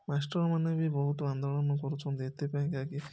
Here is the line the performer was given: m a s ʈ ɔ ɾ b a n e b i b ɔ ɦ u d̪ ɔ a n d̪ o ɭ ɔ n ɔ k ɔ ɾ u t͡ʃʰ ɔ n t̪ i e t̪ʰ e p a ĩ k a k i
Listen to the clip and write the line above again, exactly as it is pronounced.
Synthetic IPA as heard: m a s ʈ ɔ ɾ m a n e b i b ɔ ɦ u t̪ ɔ a n d̪ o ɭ ɔ n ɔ k ɔ ɾ u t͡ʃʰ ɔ n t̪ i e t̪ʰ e p a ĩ k a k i